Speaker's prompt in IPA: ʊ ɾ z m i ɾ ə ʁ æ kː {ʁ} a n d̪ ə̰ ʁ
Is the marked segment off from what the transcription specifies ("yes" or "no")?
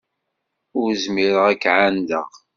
yes